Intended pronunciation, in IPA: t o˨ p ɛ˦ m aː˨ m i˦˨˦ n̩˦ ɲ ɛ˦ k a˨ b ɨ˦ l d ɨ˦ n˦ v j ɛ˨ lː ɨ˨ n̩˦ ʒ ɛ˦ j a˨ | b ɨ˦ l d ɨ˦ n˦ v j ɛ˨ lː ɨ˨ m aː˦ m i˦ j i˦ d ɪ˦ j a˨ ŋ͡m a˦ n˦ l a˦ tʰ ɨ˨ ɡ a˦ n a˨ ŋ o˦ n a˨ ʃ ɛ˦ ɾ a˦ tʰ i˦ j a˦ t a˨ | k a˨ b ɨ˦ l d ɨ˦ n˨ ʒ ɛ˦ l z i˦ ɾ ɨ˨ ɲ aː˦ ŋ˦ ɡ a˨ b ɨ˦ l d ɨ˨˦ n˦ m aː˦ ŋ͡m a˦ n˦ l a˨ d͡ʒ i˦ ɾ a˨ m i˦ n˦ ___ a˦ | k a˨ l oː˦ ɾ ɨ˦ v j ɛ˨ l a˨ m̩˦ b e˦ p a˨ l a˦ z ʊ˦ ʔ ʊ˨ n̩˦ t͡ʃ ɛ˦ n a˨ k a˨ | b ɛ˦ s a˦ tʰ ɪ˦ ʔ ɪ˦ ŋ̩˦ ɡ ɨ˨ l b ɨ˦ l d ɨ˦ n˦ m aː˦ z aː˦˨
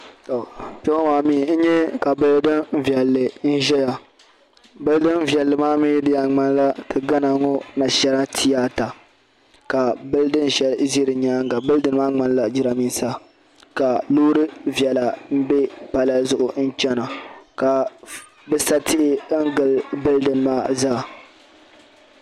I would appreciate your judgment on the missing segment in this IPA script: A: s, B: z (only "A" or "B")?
A